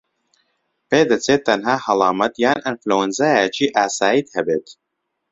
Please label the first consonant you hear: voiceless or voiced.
voiceless